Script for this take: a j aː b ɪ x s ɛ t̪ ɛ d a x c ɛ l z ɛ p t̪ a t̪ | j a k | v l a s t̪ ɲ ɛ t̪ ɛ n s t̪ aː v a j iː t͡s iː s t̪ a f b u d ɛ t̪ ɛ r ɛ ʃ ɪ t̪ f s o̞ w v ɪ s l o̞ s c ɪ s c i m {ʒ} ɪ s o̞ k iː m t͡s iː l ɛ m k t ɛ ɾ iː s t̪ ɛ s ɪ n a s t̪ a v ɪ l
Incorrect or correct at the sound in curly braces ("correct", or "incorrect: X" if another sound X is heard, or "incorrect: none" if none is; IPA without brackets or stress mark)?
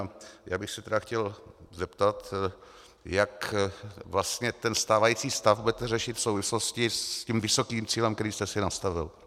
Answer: incorrect: v